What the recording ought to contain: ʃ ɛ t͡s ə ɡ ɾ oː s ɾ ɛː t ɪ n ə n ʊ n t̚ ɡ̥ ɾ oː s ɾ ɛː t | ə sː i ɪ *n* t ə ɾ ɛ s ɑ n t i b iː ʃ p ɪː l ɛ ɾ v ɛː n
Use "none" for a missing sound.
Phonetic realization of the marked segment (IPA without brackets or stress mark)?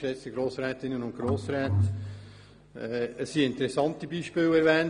n